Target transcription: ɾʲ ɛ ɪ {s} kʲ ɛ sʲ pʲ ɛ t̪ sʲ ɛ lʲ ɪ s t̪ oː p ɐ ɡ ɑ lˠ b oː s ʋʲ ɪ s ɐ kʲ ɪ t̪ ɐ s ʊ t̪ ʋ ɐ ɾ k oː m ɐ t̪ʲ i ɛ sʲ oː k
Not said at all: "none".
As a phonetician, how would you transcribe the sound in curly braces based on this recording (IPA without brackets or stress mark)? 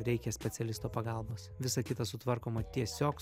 none